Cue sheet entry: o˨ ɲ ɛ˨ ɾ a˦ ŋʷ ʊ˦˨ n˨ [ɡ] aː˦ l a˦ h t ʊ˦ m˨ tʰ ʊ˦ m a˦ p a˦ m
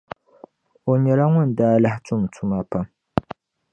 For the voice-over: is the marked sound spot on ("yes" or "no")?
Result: no